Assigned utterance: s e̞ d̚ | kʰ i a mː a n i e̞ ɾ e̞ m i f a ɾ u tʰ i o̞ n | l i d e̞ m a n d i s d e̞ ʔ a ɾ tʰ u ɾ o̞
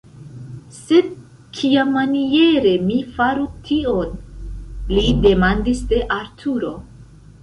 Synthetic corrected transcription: s e̞ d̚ | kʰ i a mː a n i e̞ ɾ e̞ m i f a ɾ u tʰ i o̞ n | l i d e̞ m a n d i s d e̞ ʔ a ɾ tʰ u ɾ o̞